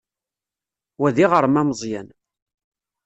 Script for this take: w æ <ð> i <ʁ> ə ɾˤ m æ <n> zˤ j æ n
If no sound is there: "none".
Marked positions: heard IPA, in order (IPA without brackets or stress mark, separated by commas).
ð, ʁ, m